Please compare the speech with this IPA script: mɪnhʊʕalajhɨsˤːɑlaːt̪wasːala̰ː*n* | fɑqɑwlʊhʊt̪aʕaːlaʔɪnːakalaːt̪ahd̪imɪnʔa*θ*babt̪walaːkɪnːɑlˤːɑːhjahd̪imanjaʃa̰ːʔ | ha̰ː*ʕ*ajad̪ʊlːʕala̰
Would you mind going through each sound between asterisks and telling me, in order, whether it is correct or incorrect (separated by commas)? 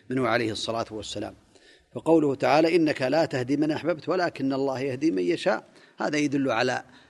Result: incorrect, incorrect, incorrect